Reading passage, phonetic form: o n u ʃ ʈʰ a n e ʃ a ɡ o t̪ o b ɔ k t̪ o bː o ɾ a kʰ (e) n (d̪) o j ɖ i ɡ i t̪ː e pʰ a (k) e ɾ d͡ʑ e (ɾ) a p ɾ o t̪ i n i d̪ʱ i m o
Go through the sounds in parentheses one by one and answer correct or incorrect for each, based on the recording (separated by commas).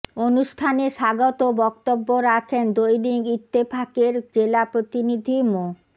correct, correct, correct, incorrect